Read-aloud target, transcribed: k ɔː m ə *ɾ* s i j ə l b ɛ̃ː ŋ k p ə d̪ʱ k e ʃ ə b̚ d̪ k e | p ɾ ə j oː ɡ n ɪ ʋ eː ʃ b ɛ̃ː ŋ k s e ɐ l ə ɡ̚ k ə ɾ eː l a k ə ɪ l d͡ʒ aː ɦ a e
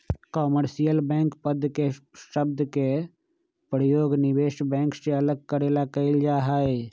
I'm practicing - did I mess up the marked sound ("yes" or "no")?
no